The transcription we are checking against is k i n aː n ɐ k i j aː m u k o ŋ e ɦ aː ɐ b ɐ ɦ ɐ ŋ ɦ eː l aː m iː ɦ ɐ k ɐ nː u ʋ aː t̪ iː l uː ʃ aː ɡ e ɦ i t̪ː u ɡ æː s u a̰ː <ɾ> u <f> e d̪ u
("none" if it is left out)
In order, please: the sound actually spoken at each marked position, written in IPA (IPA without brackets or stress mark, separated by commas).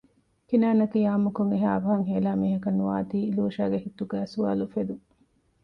l, f